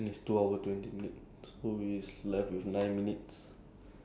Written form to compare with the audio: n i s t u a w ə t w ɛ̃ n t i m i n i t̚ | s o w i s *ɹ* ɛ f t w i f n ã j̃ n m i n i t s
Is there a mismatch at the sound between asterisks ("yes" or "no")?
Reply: yes